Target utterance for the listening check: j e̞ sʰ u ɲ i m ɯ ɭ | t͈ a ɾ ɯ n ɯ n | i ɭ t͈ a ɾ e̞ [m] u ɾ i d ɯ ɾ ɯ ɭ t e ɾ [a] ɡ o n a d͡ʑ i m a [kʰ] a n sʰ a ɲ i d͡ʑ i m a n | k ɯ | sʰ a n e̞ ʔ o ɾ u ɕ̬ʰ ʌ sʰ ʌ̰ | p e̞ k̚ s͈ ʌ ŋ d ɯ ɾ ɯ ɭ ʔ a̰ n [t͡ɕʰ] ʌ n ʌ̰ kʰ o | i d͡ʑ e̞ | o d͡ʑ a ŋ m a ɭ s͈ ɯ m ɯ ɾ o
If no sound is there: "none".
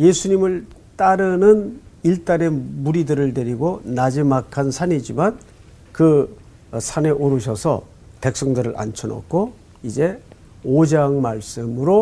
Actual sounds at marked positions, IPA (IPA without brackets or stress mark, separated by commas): m, i, kʰ, t͡ɕʰ